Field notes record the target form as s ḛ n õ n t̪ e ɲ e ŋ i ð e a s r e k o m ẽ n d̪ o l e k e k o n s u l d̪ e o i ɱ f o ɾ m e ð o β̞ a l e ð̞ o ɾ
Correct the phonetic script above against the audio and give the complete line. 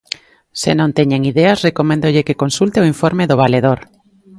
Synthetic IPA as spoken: s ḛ n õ n t̪ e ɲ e ŋ i ð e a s r e k o m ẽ n d̪ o ʎ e k e k o n s u l t̪ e o i ɱ f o ɾ m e ð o β̞ a l e ð̞ o ɾ